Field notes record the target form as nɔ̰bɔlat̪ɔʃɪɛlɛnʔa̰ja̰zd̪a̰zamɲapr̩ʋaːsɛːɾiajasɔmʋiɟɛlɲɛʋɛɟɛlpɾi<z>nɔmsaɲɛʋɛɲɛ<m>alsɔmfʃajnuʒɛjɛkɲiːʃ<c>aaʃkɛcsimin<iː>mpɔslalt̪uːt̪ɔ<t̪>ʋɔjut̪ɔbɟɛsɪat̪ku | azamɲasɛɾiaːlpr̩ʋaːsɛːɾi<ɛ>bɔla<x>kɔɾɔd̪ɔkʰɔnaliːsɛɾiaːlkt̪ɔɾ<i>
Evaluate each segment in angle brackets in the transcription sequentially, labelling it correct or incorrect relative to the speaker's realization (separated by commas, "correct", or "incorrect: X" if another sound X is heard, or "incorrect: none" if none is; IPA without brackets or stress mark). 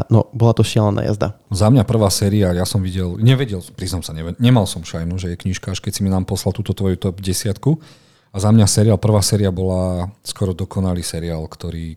correct, correct, incorrect: k, incorrect: aː, correct, incorrect: a, incorrect: s, incorrect: iː